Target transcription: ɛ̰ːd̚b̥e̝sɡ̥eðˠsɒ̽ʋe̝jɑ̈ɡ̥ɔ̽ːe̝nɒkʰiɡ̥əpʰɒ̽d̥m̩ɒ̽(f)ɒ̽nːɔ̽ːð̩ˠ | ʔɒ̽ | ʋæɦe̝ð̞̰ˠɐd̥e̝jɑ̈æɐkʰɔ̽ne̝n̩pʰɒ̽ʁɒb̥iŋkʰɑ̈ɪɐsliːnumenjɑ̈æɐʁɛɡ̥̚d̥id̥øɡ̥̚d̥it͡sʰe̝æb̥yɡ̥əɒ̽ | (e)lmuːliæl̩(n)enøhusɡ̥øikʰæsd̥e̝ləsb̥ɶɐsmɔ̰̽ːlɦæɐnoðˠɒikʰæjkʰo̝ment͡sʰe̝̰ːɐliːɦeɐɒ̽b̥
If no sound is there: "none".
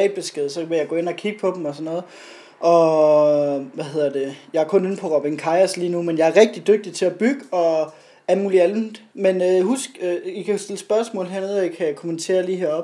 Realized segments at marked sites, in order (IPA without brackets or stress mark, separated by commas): s, æ, m